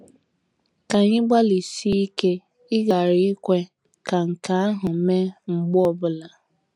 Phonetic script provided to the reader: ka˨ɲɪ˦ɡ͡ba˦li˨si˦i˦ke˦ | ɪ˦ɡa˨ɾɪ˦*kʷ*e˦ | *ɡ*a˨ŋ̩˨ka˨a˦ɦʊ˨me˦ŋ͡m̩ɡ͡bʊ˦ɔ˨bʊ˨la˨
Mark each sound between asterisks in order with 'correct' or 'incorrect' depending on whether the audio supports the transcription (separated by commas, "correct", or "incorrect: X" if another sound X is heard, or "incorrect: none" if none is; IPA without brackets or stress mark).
correct, incorrect: k